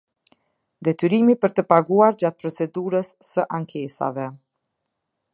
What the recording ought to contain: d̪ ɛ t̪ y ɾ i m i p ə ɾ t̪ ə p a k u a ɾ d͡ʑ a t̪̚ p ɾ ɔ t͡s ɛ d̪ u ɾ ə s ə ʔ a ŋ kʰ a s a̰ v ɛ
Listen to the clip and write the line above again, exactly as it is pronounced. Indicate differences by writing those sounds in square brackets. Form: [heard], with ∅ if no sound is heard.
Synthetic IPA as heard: d̪ ɛ t̪ y ɾ i m i p ə ɾ t̪ ə p a [ɡ] u a ɾ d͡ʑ a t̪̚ p ɾ ɔ t͡s ɛ d̪ u ɾ ə [sː] ə ʔ a ŋ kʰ [ɛ] s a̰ v ɛ

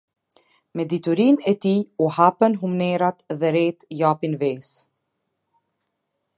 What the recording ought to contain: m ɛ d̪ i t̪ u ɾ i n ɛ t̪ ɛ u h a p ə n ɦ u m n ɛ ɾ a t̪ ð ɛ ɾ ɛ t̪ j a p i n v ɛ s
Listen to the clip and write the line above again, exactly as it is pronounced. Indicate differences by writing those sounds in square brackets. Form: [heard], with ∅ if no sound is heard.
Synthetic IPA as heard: m ɛ d̪ i t̪ u ɾ i n ɛ t̪ [i] u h a p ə n ɦ u m n ɛ ɾ a t̪ ð ɛ ɾ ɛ t̪ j a p i n v ɛ s

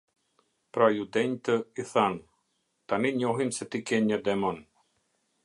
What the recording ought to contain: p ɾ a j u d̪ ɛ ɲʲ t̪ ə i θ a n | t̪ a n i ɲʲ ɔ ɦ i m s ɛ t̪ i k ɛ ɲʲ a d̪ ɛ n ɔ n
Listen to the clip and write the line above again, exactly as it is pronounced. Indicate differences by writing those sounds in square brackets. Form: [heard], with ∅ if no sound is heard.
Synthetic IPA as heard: p ɾ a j u d̪ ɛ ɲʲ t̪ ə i θ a n | t̪ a n i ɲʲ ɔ ɦ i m s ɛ t̪ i k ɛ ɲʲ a d̪ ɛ [m] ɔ n

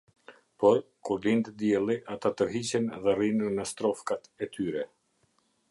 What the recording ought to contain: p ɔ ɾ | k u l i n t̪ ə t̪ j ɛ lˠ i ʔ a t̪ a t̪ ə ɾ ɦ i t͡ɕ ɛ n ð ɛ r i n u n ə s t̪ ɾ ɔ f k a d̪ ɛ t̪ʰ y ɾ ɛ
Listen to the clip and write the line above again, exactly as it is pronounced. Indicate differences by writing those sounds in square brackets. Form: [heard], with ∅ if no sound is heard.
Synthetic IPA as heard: p ɔ ɾ | k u l i n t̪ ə [d̪] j ɛ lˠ i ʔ a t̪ a t̪ ə ɾ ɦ i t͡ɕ ɛ n ð ɛ r i n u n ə s t̪ ɾ ɔ f k a [t̪] ɛ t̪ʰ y ɾ ɛ

